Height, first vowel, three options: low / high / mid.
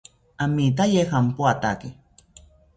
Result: low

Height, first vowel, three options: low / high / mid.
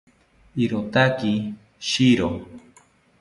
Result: high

